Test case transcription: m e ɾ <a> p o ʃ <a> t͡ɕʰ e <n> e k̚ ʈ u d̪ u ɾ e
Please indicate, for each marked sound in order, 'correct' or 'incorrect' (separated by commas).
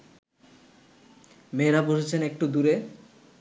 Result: correct, incorrect, correct